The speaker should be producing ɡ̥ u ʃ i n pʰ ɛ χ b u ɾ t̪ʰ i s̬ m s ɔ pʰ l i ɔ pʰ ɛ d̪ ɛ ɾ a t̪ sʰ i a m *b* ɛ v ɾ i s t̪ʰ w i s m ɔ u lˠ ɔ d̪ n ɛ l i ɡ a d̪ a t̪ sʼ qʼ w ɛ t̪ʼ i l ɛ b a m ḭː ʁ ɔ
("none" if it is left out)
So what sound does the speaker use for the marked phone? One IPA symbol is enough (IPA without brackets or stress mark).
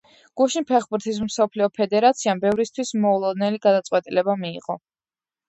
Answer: b